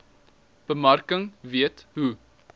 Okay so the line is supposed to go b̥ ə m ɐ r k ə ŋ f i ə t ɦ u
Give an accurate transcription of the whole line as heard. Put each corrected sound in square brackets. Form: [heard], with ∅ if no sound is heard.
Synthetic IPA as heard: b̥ ə m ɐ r k ə ŋ [v] i ə t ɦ u